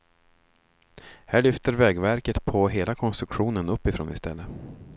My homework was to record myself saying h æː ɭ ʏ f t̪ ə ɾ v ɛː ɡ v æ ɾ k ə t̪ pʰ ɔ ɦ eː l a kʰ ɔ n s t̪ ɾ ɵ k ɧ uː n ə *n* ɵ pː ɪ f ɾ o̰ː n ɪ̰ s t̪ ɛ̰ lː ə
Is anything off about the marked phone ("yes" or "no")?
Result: no